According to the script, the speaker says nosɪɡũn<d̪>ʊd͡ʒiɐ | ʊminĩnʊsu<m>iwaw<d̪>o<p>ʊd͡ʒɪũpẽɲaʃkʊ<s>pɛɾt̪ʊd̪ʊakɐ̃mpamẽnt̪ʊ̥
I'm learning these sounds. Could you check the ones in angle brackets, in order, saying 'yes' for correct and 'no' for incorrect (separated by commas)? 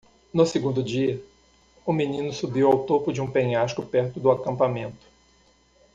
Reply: yes, no, no, yes, no